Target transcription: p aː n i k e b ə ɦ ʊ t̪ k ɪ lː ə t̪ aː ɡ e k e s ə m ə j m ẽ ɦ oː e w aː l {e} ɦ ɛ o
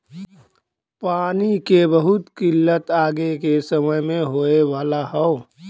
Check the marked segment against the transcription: incorrect: a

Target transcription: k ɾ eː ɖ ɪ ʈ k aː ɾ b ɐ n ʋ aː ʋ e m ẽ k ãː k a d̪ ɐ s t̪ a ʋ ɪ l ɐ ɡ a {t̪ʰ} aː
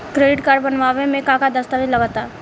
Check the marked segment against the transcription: incorrect: t̪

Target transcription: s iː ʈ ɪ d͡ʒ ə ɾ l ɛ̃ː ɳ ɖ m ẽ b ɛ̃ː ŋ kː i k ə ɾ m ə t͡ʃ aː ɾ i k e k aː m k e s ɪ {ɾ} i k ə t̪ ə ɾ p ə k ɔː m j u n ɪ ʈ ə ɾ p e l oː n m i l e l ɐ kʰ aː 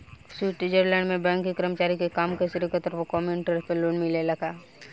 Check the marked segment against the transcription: correct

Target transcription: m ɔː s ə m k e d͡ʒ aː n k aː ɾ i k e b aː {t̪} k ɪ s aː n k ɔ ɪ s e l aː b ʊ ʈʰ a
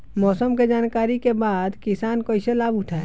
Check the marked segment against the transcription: incorrect: d̪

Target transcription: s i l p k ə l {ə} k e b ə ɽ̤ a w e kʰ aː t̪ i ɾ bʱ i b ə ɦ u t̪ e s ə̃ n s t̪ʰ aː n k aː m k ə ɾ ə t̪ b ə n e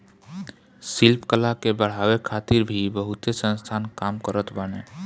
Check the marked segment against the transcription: incorrect: a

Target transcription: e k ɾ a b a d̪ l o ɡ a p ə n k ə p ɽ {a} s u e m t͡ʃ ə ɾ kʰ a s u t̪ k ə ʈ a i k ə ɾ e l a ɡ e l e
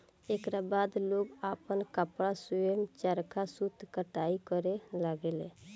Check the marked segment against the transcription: correct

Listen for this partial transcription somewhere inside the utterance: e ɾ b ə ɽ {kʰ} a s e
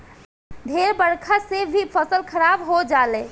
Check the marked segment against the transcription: correct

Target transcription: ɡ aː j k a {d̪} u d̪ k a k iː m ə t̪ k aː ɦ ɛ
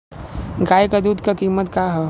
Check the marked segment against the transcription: correct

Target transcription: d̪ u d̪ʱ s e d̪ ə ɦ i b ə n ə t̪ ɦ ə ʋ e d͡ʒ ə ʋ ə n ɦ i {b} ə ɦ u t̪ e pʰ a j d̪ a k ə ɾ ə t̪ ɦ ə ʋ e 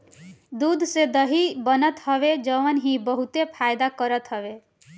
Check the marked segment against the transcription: correct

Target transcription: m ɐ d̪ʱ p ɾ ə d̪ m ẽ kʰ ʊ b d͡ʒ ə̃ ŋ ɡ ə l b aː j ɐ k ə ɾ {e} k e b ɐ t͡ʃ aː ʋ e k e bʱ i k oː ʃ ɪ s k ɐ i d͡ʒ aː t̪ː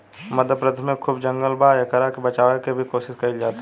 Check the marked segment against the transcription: incorrect: a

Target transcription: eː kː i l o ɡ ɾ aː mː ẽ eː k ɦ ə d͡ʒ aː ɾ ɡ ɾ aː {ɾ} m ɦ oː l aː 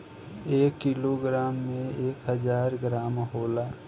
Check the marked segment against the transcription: incorrect: none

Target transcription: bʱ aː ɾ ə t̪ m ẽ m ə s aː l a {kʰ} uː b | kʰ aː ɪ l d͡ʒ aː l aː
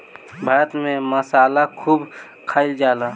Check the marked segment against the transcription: correct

